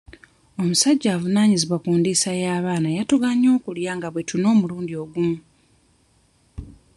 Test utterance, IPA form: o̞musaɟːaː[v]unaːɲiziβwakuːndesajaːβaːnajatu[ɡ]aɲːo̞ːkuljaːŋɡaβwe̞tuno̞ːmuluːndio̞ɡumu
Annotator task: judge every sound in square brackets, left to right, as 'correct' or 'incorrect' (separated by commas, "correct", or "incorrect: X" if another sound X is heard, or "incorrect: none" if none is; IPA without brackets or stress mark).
correct, correct